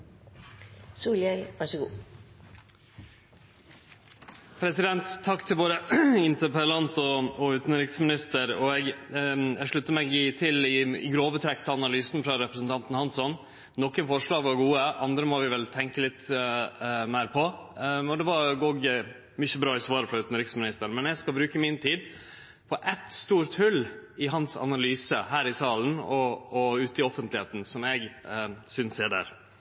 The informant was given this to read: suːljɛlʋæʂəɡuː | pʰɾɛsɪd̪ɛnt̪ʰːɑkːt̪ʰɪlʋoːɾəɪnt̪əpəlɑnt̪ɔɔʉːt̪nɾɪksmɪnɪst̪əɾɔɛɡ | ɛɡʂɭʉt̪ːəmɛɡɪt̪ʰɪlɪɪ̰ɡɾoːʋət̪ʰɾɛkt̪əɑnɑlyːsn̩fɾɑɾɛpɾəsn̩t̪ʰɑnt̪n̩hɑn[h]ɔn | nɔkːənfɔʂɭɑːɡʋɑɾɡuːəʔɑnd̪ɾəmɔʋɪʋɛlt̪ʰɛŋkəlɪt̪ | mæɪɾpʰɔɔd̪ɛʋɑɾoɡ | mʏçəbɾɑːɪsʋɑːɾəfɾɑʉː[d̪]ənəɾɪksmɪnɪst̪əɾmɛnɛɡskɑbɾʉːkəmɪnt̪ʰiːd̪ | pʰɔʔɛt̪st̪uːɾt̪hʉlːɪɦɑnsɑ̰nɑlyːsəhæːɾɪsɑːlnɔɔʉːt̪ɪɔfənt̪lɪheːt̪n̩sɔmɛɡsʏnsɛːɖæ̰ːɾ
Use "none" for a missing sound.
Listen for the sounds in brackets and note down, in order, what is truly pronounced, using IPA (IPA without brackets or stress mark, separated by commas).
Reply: s, t̪